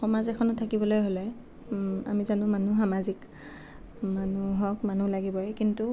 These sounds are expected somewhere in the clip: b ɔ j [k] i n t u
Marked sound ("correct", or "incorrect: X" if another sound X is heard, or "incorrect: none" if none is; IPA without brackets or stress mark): correct